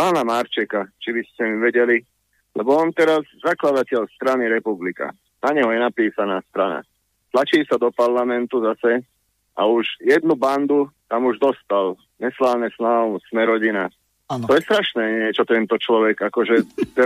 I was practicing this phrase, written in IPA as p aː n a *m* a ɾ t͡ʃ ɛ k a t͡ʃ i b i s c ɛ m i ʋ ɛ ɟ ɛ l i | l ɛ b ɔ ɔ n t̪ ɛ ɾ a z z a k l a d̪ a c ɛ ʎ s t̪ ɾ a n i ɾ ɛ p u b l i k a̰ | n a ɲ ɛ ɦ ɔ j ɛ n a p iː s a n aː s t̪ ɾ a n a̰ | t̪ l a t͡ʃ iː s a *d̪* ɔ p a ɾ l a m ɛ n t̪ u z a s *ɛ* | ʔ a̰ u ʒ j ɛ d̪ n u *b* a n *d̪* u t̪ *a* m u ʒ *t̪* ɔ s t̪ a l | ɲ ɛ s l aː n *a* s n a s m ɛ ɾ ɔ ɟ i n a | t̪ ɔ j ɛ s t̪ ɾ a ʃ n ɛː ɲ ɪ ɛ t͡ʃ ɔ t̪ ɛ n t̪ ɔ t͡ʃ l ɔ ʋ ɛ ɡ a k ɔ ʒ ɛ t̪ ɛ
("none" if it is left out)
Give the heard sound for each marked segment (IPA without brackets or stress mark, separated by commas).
m, d̪, ɛ, b, d̪, a, d̪, ɛ